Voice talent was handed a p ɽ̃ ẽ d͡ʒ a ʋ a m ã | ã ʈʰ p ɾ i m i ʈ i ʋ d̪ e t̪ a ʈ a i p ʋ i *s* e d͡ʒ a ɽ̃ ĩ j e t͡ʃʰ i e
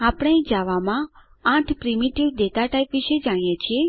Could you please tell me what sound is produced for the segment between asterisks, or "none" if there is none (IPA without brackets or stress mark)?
ʃ